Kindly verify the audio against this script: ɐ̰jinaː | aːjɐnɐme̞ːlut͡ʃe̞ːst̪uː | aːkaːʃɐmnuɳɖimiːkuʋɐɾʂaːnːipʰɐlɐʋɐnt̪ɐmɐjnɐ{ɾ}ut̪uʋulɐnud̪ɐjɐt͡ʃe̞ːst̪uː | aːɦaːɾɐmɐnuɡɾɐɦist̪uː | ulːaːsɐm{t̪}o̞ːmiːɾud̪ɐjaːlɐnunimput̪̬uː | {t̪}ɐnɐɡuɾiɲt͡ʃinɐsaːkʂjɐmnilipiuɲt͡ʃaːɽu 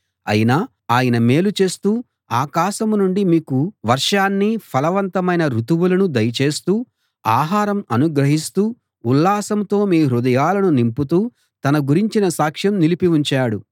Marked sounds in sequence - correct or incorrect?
correct, correct, correct

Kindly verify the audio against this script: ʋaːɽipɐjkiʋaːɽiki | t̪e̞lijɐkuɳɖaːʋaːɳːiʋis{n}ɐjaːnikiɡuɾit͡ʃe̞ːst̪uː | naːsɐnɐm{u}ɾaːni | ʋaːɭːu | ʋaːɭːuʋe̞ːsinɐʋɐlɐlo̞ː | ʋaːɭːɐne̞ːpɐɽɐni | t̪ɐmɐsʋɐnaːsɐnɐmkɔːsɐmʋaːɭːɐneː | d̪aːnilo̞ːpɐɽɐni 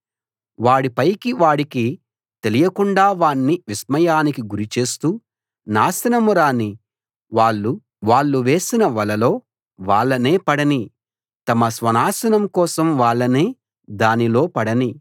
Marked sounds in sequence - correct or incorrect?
incorrect: m, correct

